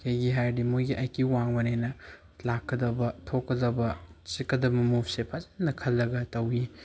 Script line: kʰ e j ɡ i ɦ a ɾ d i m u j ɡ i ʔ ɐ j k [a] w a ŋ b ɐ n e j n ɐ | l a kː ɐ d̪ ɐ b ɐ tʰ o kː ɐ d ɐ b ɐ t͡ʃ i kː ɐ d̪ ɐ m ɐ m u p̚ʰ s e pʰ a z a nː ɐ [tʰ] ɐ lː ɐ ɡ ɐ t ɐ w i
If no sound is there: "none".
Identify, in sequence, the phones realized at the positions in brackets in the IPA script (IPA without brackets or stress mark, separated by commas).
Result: i, kʰ